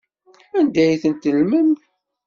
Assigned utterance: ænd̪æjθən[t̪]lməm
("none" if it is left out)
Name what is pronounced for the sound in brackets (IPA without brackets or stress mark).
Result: t̪